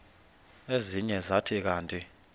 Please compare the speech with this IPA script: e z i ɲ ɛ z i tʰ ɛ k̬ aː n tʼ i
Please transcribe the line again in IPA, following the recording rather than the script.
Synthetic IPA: e z i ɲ ɛ z a tʰ i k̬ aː n tʼ i